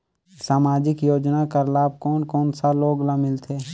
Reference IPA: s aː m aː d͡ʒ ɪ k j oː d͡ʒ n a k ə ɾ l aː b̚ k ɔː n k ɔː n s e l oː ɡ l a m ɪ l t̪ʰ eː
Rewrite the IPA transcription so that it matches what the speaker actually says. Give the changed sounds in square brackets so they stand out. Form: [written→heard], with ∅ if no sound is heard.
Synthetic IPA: s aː m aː d͡ʒ ɪ k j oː d͡ʒ n a k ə ɾ l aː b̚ k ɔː n k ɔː n s [e→a] l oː ɡ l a m ɪ l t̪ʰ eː